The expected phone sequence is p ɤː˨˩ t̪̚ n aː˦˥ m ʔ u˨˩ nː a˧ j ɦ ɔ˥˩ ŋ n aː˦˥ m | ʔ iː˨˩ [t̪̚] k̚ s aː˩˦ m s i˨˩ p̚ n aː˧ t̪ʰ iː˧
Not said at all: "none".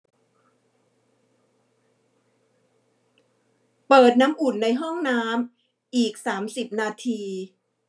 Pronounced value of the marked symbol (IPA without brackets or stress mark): none